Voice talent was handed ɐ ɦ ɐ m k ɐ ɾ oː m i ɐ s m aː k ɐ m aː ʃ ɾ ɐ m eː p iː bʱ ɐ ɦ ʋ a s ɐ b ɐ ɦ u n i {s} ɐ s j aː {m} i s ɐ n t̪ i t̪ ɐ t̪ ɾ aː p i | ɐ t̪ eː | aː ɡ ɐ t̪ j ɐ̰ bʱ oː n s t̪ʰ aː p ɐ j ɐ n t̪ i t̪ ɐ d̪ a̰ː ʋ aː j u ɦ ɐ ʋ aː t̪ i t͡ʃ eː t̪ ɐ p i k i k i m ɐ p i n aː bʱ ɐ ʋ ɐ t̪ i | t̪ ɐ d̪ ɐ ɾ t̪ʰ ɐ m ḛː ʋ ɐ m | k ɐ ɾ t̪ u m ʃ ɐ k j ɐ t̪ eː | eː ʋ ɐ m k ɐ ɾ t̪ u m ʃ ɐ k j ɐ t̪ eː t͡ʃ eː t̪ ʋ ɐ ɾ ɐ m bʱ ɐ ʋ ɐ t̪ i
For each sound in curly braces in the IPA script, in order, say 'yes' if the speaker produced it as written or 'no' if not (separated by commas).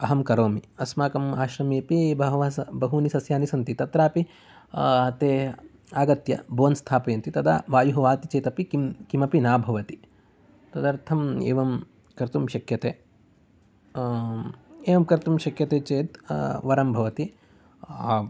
yes, no